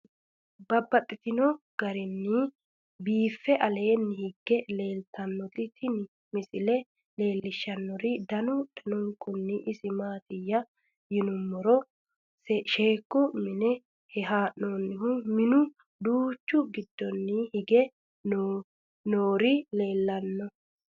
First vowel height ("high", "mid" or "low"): low